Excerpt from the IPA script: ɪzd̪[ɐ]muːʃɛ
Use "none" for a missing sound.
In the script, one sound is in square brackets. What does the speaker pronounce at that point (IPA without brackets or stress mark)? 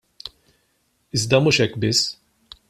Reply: ɐ